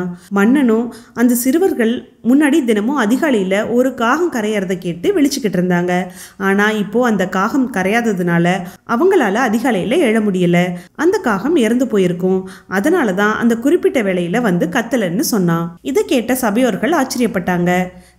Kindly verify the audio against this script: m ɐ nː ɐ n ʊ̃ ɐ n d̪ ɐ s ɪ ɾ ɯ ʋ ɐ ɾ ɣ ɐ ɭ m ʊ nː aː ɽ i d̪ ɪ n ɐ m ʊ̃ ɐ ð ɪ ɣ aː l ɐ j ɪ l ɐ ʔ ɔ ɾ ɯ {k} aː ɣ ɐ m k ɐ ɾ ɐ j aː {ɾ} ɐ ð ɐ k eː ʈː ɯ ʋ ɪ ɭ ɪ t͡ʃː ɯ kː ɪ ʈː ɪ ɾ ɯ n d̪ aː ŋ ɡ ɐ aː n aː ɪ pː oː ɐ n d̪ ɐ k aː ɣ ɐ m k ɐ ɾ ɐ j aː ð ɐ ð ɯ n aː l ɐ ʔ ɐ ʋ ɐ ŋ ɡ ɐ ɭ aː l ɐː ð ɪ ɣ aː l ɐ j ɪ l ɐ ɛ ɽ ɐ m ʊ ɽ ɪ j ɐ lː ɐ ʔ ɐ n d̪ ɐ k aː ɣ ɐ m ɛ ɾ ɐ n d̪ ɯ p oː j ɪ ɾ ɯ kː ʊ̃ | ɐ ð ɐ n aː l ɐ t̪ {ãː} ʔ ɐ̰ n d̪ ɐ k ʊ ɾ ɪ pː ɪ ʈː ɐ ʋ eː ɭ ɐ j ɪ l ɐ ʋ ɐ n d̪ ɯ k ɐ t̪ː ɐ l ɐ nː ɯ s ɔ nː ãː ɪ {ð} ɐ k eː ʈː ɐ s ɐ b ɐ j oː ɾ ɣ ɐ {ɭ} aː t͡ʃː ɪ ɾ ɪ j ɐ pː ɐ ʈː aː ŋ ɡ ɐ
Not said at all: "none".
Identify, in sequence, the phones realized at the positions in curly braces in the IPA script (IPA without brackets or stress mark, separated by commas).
k, ɾ, ãː, ð, ɭ